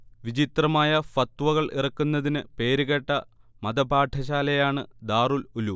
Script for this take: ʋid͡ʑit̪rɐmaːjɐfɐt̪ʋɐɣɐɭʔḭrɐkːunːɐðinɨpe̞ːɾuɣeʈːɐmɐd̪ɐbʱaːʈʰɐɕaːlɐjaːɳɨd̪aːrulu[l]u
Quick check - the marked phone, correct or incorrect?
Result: correct